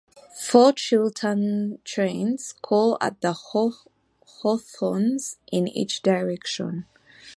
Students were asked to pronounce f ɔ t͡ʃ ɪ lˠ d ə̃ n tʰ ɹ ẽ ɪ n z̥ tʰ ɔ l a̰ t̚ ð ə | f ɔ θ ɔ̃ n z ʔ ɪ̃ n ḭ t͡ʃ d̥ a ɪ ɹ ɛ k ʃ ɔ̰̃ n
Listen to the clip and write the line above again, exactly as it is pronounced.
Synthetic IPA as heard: f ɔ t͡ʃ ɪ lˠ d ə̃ n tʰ ɹ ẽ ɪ n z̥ kʰ ɔ l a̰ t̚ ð ə | h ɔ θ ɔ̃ n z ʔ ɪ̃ n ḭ t͡ʃ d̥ a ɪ ɹ ɛ k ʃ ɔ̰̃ n